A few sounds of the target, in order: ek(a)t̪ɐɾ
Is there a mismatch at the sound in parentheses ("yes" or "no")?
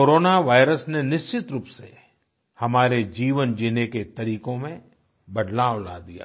yes